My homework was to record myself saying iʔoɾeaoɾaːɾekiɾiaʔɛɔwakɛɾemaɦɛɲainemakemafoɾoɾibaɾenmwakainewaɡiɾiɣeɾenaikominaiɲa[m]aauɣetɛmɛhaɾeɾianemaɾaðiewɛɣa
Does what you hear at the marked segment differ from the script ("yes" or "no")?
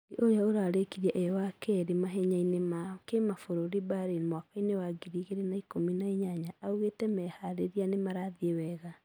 yes